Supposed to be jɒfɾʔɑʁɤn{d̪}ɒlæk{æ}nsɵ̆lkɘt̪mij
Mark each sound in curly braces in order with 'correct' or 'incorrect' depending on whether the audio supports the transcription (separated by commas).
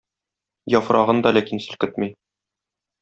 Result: correct, incorrect